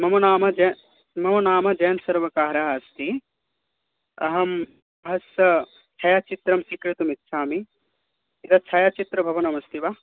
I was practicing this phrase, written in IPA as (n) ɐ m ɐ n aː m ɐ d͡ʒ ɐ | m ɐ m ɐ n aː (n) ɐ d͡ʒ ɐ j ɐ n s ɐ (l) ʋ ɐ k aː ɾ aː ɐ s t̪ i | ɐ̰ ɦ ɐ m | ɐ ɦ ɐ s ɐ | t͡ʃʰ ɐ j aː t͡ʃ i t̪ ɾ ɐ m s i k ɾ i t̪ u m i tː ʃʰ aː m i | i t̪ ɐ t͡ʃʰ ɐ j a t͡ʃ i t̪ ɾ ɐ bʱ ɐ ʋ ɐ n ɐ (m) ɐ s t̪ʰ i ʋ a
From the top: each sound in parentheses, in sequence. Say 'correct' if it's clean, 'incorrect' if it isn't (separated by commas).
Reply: incorrect, incorrect, incorrect, correct